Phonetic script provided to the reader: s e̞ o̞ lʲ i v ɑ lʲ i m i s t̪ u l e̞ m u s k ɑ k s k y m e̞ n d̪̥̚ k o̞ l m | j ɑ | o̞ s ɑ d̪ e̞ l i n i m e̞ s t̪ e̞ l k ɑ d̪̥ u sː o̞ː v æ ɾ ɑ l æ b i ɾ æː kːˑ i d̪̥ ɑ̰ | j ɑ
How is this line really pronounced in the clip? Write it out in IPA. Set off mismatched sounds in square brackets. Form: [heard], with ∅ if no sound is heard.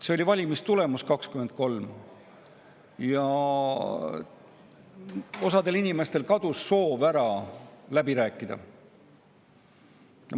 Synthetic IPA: s e̞ o̞ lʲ i v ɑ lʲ i m i s t̪ u l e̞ m u s k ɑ k s k y m e̞ n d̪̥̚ k o̞ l m | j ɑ | o̞ s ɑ d̪ e̞ l i n i m e̞ s t̪ e̞ l k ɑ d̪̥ u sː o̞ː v æ ɾ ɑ l æ b i ɾ æː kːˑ i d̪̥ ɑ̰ | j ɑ